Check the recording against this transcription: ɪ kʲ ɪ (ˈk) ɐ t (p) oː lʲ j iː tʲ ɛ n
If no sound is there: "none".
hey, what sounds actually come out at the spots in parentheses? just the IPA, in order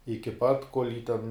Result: p, k

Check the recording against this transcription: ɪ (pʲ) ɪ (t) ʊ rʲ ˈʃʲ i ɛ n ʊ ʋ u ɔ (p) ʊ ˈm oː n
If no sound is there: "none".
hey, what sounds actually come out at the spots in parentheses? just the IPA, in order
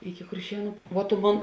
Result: kʲ, k, t

